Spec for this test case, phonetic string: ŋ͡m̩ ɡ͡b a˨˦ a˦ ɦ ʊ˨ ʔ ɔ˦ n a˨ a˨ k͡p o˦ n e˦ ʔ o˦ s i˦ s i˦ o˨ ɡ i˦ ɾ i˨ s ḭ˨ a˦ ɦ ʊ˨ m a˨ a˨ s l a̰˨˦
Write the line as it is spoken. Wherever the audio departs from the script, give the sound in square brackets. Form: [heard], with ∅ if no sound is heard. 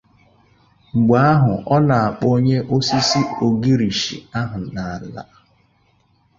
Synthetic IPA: ŋ͡m̩ ɡ͡b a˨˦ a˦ ɦ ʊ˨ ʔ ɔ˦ n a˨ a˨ k͡p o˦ [ɲ] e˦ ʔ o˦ s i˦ s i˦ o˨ ɡ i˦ ɾ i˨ [ʃ] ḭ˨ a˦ ɦ ʊ˨ [n] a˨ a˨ [∅] l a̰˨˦